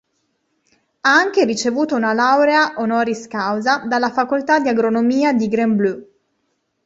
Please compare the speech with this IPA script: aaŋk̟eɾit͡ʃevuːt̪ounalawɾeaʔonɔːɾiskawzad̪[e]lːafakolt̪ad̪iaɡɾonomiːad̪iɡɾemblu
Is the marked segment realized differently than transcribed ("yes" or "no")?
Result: yes